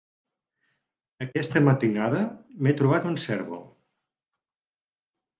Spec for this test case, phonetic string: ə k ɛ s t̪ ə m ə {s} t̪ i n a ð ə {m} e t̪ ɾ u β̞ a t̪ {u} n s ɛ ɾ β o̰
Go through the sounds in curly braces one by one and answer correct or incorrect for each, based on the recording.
incorrect, correct, correct

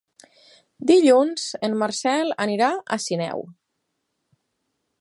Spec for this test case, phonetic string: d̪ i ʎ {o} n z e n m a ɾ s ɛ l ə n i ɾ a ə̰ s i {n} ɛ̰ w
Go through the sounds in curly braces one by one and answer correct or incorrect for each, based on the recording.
incorrect, correct

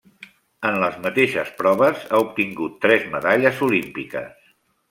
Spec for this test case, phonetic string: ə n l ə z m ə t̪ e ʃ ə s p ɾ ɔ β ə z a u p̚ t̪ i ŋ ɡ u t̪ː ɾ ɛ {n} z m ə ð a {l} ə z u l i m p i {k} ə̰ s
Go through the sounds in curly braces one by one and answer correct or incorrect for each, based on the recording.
incorrect, incorrect, correct

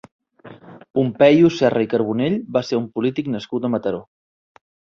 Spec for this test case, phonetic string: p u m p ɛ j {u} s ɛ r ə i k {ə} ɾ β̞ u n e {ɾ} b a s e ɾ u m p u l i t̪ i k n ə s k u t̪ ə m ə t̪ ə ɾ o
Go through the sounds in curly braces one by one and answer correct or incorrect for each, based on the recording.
correct, correct, incorrect

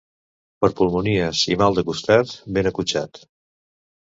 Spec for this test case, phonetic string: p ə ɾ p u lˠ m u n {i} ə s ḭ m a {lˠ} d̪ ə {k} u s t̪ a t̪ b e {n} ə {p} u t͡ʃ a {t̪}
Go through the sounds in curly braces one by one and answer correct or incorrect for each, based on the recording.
correct, correct, correct, correct, incorrect, correct

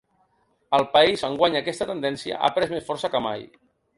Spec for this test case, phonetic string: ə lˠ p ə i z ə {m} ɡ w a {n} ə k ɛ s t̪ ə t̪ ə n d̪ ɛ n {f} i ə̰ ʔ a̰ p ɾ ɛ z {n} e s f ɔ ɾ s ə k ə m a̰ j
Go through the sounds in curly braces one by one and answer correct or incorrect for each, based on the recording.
incorrect, incorrect, incorrect, incorrect

